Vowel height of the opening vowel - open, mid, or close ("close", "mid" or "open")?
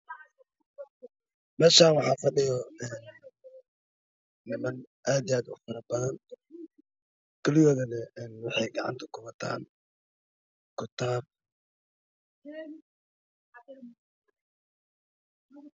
mid